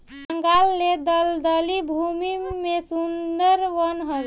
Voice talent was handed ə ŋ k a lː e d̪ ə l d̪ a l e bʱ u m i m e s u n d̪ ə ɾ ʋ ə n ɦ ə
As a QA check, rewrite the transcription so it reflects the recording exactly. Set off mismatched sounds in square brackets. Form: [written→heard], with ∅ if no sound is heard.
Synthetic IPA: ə ŋ [k→ɡ] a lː e d̪ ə l d̪ [a→ə] l [e→i] bʱ u m i m e s u n d̪ ə ɾ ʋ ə n ɦ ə